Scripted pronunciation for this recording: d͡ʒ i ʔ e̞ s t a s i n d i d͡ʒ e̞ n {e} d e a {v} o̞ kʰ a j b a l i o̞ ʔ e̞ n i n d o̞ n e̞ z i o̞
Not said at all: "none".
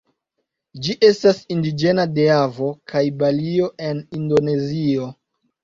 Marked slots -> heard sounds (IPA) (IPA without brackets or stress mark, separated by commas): a, v